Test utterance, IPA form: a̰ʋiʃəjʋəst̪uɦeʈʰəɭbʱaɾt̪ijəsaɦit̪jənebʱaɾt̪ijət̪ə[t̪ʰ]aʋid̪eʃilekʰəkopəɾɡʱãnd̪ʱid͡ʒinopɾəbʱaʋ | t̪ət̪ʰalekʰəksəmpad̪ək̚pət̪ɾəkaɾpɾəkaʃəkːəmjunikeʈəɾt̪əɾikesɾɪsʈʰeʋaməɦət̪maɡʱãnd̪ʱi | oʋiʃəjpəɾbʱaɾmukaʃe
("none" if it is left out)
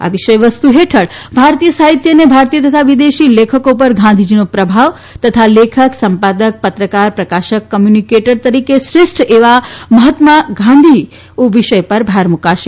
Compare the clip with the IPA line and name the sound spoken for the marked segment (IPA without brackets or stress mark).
t̪ʰ